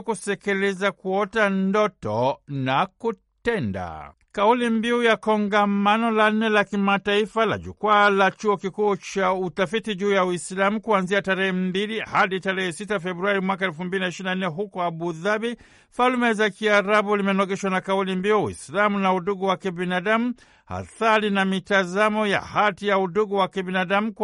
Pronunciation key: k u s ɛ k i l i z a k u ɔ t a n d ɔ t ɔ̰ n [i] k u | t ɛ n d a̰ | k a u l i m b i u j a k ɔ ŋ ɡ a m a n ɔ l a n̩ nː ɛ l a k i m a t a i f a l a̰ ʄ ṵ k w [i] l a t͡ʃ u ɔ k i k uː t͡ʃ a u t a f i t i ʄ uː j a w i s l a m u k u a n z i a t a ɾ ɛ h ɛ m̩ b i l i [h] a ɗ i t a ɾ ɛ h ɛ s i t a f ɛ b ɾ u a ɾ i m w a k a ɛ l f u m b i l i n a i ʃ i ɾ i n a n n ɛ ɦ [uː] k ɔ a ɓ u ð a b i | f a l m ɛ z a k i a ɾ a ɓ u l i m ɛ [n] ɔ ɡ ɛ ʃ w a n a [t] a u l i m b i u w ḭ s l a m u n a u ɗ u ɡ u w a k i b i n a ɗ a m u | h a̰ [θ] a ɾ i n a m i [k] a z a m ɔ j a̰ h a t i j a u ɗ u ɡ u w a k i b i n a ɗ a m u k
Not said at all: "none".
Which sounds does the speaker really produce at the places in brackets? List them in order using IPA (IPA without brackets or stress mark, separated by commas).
a, a, h, u, n, k, θ, t